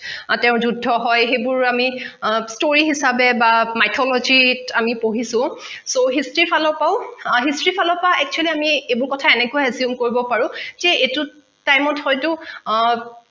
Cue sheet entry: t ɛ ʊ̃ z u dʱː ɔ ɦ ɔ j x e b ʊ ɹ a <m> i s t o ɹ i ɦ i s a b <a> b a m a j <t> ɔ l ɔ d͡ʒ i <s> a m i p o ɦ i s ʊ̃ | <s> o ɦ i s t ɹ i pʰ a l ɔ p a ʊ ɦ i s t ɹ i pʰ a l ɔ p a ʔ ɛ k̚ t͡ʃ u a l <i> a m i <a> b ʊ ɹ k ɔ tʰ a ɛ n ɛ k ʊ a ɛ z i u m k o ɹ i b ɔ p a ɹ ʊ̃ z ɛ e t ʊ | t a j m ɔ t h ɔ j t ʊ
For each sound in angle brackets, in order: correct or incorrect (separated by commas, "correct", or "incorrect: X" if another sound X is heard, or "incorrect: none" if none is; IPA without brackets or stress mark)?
correct, incorrect: ɛ, incorrect: tʰ, incorrect: t, correct, correct, incorrect: e